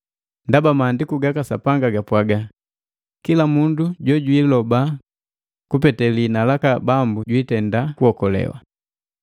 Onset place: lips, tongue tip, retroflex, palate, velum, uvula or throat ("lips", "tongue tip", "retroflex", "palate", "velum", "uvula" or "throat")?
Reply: tongue tip